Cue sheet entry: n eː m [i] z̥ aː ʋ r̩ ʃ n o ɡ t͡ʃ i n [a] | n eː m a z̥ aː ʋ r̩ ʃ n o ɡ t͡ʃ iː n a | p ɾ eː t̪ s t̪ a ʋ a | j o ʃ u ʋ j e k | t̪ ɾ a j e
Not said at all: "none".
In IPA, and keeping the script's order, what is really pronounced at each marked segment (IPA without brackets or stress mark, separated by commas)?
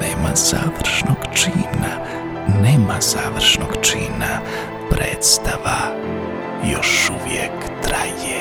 a, a